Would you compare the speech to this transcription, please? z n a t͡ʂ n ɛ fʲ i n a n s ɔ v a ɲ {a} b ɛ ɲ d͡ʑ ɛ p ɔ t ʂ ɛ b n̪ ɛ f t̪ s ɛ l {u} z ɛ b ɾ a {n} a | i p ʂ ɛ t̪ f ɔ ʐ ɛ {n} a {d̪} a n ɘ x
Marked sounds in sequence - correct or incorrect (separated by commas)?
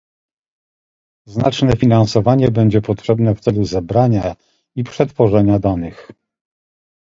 incorrect, correct, incorrect, incorrect, correct